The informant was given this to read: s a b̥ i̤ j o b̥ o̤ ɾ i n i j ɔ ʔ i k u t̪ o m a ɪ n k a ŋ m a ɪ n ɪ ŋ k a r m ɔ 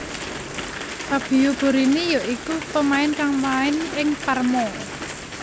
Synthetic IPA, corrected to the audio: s a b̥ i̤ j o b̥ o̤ ɾ i n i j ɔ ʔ i k u t̪ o m a ɪ n k a ŋ m a ɪ n ɪ ŋ p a r m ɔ